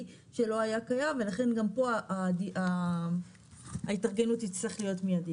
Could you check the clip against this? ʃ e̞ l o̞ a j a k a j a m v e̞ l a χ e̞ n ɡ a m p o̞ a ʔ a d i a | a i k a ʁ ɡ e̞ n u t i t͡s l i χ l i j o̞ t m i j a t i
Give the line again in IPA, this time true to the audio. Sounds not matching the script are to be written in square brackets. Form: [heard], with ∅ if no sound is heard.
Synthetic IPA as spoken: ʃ e̞ l o̞ a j a k a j a m v e̞ l a χ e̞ n ɡ a m p o̞ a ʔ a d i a | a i [t] a ʁ ɡ e̞ n u t i t͡s l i χ l i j o̞ t m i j a [d] i